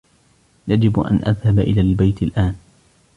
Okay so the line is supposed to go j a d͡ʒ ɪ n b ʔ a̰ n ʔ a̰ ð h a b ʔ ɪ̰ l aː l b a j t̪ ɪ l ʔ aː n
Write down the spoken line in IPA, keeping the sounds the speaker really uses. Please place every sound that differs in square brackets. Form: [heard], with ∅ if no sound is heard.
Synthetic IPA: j a d͡ʒ ɪ [∅] b ʔ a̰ n ʔ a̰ ð h a b ʔ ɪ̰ l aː l b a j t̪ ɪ l ʔ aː n